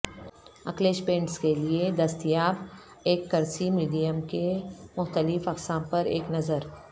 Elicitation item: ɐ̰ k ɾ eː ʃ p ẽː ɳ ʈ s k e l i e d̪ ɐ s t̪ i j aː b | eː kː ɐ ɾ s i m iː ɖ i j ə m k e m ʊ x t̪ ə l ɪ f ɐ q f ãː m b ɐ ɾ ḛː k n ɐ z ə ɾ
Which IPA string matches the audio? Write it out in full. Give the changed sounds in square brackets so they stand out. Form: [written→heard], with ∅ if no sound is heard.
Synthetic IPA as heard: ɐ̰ k [ɾ→l] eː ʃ p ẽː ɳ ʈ s k e l i e d̪ ɐ s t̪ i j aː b | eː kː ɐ ɾ s i m iː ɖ i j ə m k e m ʊ x t̪ ə l ɪ f ɐ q [f→s] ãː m [b→p] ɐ ɾ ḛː k n ɐ z ə ɾ